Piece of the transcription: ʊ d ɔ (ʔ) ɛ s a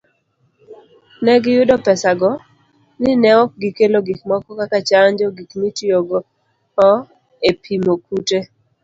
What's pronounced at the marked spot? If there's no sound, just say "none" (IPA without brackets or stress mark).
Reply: p